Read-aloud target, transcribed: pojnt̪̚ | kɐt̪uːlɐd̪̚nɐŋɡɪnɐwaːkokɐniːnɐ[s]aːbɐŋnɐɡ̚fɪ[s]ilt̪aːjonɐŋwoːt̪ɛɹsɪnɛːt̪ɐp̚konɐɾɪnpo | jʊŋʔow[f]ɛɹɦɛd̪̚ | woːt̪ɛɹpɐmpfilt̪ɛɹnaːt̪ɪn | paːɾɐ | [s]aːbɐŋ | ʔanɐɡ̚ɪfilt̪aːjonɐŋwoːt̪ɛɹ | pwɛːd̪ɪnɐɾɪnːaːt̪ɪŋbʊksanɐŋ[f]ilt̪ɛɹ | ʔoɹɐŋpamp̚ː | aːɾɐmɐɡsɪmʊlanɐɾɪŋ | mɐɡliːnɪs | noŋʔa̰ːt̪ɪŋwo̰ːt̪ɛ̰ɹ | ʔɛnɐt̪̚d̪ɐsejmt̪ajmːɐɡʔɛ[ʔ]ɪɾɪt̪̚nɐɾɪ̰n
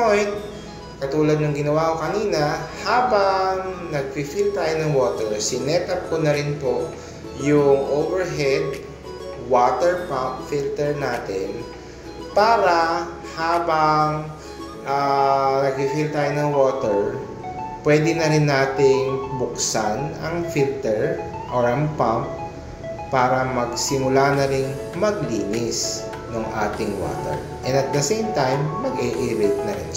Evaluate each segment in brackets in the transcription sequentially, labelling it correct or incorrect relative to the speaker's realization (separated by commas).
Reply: incorrect, incorrect, incorrect, incorrect, correct, correct